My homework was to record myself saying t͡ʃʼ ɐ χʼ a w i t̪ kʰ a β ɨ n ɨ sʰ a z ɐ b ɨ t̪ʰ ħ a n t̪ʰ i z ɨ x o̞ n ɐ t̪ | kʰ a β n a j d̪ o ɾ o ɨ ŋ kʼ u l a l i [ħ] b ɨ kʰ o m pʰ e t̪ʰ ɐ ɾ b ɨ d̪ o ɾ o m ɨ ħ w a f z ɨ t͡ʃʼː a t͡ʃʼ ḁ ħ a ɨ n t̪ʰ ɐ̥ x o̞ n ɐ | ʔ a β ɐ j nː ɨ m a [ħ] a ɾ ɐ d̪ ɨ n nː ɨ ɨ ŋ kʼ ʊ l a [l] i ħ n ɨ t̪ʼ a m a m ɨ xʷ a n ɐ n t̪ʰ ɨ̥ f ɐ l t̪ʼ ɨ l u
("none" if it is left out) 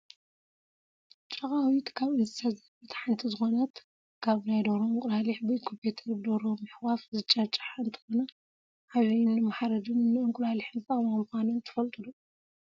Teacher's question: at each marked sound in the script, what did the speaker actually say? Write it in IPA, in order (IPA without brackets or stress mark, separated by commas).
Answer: ħ, ħ, l